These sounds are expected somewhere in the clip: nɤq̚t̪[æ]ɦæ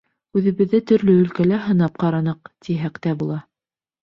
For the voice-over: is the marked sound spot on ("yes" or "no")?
no